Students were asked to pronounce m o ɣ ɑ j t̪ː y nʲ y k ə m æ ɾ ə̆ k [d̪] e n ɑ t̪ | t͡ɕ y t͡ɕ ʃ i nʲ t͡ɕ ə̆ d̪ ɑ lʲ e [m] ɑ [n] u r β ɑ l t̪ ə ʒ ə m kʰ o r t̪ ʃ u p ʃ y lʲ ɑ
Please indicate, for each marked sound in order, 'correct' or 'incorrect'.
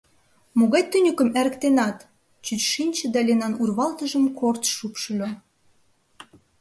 incorrect: t̪, incorrect: n, correct

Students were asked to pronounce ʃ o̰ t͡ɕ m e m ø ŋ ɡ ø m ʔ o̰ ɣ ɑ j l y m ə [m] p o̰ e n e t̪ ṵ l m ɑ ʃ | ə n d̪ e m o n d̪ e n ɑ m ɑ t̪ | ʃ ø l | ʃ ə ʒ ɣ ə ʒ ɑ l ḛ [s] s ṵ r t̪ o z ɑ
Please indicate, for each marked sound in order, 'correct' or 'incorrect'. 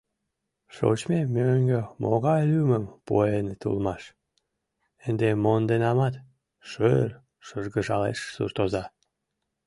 correct, incorrect: ʃ

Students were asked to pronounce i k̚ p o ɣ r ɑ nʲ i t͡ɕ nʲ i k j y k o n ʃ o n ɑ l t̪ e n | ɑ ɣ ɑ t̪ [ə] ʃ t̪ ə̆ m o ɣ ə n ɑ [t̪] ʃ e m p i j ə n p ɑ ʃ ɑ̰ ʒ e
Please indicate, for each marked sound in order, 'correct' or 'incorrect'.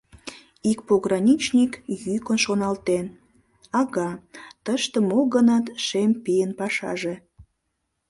correct, correct

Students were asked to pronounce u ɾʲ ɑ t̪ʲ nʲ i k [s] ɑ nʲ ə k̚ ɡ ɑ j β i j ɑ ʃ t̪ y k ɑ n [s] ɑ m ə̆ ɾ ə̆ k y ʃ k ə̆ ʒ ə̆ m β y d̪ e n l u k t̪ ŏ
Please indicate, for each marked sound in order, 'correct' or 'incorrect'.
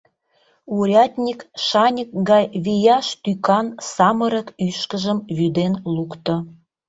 incorrect: ʃ, correct

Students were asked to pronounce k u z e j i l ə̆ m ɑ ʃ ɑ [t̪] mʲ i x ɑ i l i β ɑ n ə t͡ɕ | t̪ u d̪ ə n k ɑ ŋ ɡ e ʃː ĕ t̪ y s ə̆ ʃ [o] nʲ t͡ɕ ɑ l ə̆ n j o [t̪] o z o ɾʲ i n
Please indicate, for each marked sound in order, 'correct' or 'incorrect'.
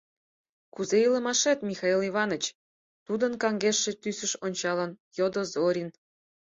correct, correct, incorrect: d̪

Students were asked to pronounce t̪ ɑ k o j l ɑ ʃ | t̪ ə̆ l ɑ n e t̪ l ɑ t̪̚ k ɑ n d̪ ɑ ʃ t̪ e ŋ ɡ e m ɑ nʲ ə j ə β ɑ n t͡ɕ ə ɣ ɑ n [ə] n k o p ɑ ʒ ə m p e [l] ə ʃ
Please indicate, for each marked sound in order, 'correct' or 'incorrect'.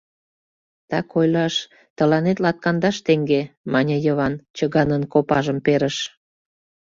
correct, incorrect: ɾ

